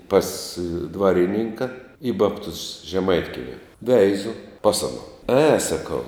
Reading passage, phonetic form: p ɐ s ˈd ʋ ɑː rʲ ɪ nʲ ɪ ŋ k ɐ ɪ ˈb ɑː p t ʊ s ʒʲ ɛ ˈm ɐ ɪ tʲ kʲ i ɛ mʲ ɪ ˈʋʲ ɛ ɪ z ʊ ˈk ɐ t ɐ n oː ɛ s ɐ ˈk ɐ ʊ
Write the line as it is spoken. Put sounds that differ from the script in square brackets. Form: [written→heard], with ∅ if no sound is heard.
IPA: p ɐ s ˈd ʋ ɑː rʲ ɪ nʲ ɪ ŋ k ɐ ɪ ˈb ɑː p t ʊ s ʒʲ ɛ ˈm ɐ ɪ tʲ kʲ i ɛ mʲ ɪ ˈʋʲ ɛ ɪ z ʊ [ˈk→ˈp] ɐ [t→s] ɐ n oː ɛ s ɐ ˈk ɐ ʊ